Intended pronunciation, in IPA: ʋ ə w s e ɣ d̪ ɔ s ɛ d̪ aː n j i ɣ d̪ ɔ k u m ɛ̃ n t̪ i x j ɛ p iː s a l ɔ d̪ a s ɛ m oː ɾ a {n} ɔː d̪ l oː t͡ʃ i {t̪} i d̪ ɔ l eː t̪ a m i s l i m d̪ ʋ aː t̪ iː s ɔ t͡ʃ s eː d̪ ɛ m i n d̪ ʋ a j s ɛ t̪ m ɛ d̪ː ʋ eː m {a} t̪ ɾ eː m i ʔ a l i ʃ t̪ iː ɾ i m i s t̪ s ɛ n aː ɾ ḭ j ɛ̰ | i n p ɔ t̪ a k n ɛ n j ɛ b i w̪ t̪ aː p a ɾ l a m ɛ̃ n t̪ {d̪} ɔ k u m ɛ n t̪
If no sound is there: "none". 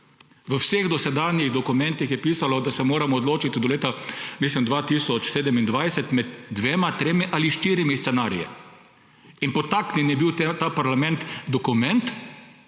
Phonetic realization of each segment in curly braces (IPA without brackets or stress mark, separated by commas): m, t̪, a, d̪